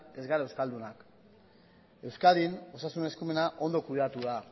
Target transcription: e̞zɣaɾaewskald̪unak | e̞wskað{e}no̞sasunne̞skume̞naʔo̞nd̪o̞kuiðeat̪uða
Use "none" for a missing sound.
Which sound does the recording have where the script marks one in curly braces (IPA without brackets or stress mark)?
i